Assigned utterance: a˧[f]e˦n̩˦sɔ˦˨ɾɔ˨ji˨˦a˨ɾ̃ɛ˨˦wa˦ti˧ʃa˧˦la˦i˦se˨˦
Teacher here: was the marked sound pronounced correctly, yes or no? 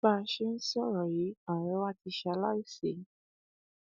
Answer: no